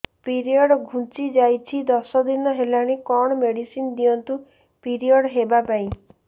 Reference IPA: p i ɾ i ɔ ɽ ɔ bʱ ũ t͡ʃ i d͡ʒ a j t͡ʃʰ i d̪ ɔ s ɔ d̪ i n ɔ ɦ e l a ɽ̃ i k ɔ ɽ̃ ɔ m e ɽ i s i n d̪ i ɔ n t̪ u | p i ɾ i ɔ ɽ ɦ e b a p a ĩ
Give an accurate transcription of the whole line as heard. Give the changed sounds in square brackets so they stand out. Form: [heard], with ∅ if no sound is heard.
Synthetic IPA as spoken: p i ɾ i ɔ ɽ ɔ [ɡʱ] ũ t͡ʃ i d͡ʒ a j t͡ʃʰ i d̪ ɔ s ɔ d̪ i n ɔ ɦ e l a ɽ̃ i k ɔ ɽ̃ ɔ m e ɽ i s i n d̪ i ɔ n t̪ u | p i ɾ i ɔ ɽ ɦ e b a p a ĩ